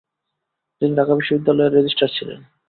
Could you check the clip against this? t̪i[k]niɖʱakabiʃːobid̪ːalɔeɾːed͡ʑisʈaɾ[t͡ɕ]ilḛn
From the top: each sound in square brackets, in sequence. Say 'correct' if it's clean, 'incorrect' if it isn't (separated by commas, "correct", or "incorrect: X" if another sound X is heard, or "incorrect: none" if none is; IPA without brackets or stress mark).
incorrect: none, incorrect: t͡ɕʰ